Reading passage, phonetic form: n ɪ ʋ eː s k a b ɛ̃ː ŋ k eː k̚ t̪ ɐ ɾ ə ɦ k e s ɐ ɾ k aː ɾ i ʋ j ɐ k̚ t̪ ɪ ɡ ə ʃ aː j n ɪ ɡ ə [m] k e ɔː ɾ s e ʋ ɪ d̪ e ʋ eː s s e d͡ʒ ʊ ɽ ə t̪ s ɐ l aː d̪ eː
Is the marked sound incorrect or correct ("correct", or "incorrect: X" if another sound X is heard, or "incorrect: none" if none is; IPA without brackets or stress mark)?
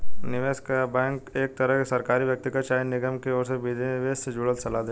correct